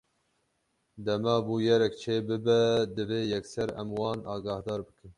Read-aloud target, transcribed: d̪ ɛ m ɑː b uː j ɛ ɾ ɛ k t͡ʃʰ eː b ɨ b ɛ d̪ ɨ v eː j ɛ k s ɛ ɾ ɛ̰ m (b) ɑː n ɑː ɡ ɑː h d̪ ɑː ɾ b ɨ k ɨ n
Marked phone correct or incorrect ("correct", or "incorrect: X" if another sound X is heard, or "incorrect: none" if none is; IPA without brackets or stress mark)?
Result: incorrect: w